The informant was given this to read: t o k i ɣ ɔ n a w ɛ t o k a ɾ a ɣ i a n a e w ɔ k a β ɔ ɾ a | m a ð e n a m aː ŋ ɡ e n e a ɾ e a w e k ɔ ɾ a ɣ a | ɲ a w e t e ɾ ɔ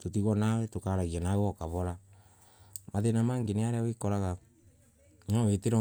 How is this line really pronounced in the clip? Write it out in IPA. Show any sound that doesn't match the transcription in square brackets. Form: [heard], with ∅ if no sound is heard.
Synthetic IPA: t o [t] i ɣ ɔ n a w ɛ t o k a ɾ a ɣ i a n a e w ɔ k a β ɔ ɾ a | m a ð e n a m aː ŋ ɡ e n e a ɾ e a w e k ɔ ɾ a ɣ a | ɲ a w e t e ɾ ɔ